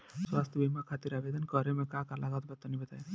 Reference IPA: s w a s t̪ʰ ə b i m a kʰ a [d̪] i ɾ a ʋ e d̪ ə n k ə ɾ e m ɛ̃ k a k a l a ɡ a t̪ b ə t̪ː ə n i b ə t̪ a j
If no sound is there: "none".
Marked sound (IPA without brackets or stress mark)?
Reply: t̪